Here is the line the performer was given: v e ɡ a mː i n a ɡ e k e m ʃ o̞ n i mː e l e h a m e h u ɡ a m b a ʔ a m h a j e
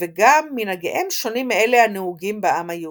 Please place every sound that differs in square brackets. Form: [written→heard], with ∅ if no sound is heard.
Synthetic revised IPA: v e ɡ a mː i n a ɡ e [k→ʔ] e m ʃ o̞ n i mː e l e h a [m→n] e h u ɡ [a→i] m b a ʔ a m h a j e